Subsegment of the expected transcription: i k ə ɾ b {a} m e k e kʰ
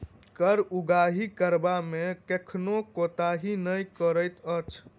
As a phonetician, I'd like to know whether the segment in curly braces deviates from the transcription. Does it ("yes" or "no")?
no